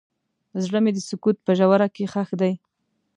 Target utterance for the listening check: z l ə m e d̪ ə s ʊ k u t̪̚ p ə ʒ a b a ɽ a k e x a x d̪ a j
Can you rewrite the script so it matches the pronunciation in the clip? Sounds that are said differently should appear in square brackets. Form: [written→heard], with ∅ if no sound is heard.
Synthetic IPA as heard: z [l→ɽ] ə m e d̪ ə s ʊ k u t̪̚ p ə ʒ a [b→w] a [ɽ→ɾ] a k e x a x d̪ a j

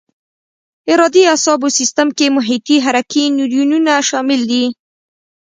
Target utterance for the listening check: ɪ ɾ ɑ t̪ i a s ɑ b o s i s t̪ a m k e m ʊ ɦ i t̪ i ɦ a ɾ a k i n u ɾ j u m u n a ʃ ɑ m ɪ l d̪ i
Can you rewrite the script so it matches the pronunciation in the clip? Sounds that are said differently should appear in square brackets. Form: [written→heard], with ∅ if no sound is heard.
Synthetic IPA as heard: ɪ ɾ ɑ [t̪→d̪] i a s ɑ b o s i s t̪ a m k e m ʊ ɦ i t̪ i ɦ a ɾ a k i n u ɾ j u [m→n] u n a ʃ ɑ m ɪ l d̪ i

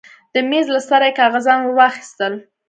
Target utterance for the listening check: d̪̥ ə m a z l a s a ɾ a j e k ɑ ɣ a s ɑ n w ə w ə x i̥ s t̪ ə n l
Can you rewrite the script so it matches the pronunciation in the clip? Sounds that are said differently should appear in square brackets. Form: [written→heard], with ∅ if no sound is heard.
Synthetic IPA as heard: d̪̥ ə m [a→e] z l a s a ɾ a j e k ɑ ɣ a [s→z] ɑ n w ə w [ə→ɑ] x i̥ s t̪ ə [n→∅] l

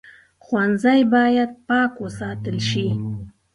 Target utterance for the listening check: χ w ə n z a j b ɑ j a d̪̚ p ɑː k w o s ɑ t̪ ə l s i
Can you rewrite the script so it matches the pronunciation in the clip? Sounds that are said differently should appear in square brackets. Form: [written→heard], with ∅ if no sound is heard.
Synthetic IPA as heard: χ w [ə→a] n z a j b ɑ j a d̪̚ p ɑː k w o s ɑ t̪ ə l [s→ʃ] i

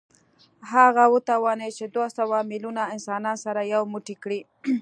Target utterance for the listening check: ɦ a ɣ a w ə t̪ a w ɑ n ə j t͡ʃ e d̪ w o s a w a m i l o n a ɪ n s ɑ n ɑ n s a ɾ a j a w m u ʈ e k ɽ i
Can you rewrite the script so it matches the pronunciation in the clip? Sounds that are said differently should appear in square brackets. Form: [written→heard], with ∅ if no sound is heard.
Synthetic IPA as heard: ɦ a ɣ a w ə t̪ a w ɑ n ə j t͡ʃ e d̪ w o s a w a m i l [o→u] n a ɪ n s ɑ n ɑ n s a ɾ a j a w m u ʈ [e→i] k ɽ i

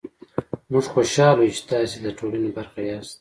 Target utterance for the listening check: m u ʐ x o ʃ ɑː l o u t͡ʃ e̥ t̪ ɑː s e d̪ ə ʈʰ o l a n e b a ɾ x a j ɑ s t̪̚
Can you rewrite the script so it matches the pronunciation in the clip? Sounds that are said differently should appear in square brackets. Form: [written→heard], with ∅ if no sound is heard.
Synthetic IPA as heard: m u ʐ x o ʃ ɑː l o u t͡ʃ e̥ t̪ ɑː s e d̪ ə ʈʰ o l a n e b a ɾ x a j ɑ s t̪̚

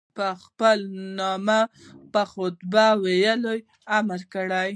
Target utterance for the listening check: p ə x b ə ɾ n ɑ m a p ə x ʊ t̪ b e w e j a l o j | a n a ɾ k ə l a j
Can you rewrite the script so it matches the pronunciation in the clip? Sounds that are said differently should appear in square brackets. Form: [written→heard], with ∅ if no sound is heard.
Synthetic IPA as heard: p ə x [b→p] ə [ɾ→l] n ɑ m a p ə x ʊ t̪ b [e→a] w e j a l o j | a [n→m] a ɾ k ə [l→ɽ] a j

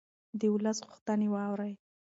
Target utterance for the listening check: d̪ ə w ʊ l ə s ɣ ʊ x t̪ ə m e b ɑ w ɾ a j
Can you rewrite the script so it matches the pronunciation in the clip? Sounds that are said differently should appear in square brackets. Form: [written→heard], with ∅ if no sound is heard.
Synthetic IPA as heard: d̪ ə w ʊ l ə s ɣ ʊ x t̪ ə [m→n] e [b→w] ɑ w ɾ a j

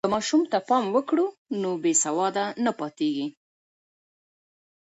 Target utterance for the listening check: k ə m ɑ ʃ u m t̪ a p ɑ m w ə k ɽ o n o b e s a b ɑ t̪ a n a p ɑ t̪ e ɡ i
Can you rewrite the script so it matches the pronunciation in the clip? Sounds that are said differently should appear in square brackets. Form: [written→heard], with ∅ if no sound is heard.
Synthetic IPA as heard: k ə m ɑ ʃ u m t̪ a p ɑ m w ə k ɽ [o→u] n o b e s a [b→w] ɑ [t̪→d̪] a n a p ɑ t̪ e ɡ i

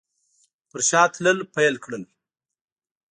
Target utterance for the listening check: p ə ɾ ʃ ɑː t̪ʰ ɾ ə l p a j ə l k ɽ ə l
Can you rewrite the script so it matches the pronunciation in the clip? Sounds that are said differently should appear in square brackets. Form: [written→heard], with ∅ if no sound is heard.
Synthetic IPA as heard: p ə ɾ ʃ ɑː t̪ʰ [ɾ→l] ə l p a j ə l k ɽ ə l

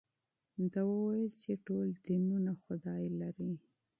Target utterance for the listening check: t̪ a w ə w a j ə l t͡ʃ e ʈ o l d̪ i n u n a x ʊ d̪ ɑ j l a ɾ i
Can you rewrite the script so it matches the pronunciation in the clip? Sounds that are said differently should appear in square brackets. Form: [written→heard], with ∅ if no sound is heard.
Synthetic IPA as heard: [t̪→d̪] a w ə w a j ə l t͡ʃ e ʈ o l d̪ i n u n a x ʊ d̪ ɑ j l a ɾ i

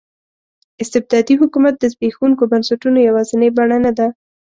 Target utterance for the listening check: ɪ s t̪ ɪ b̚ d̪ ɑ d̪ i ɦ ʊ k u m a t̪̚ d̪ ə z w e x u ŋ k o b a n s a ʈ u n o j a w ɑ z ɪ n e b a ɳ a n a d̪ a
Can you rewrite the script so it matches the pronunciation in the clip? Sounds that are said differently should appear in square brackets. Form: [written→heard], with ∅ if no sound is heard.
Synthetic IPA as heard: ɪ s t̪ ɪ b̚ d̪ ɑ d̪ i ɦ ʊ k u m a t̪̚ d̪ ə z [w→b] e x u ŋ k o b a n s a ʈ u n o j a w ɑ z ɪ n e b a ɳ a n a d̪ a

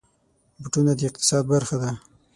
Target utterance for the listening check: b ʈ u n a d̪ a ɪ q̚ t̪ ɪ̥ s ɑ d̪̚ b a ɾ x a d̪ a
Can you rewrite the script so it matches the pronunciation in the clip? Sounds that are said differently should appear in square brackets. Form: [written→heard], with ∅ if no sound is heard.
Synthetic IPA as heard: b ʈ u n a d̪ [a→ə] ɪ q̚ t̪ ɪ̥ s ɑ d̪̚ b a ɾ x a d̪ a

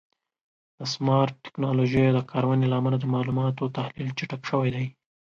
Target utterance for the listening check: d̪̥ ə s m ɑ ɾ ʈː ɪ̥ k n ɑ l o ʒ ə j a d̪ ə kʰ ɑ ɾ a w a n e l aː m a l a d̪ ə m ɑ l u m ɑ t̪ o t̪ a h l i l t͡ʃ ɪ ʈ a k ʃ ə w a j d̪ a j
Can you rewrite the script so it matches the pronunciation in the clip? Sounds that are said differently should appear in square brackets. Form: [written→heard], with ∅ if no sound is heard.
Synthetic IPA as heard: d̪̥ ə s m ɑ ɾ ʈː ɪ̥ k n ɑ l o ʒ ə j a d̪ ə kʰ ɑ ɾ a w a n e l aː m a l a d̪ ə m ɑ l u m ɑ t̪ o t̪ a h l i l t͡ʃ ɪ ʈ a k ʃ ə w a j d̪ a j

